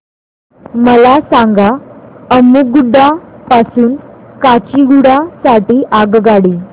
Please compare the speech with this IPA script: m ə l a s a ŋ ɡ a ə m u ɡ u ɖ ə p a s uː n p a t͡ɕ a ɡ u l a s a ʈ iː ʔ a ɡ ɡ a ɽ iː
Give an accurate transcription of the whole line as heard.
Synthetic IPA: m ə l a s a ŋ ɡ a ə m u ɡ u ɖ a p a s uː n k a t͡ɕ i ɡ u ɽ a s a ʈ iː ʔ a ɡ ɡ a ɽ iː